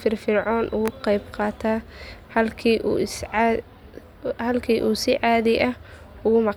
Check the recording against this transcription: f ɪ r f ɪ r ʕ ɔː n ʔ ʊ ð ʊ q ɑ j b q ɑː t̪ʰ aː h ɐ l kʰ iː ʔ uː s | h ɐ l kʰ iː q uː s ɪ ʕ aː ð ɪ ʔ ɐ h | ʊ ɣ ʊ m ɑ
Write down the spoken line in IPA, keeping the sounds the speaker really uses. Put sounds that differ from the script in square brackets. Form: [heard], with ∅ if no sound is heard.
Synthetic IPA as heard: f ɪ r f ɪ r ʕ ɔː n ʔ ʊ [ɣ] ʊ q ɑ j b q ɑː t̪ʰ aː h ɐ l kʰ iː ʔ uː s | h ɐ l kʰ iː [ʔ] uː s ɪ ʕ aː ð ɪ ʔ ɐ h | ʊ ɣ ʊ m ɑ